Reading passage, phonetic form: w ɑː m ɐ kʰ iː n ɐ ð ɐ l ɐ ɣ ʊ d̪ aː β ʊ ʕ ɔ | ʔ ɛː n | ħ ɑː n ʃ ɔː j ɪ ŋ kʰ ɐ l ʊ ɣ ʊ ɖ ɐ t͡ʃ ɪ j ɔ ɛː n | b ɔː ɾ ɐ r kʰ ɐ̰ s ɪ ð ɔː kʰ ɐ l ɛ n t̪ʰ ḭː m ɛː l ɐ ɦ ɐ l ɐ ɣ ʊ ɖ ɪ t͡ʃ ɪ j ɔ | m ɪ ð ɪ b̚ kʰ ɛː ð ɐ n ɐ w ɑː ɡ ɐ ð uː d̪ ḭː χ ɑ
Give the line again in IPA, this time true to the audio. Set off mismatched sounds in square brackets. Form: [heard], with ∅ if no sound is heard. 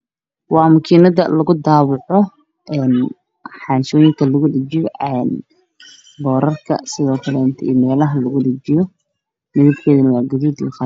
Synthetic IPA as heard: w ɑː m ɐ kʰ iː n ɐ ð ɐ l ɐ ɣ ʊ d̪ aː β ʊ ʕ ɔ | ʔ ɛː n | ħ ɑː n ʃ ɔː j ɪ ŋ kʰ ɐ l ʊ ɣ ʊ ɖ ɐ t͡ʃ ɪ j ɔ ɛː n | b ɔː ɾ ɐ r kʰ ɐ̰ s ɪ ð ɔː kʰ ɐ l ɛ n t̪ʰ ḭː m ɛː l ɐ ɦ ɐ l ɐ ɣ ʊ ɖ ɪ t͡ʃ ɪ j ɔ | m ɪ ð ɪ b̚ kʰ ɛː ð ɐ n ɐ w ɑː ɡ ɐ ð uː d̪ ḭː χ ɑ